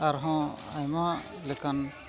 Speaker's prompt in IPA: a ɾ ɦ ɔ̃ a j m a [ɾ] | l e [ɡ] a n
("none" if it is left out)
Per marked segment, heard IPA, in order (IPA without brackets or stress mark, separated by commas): none, k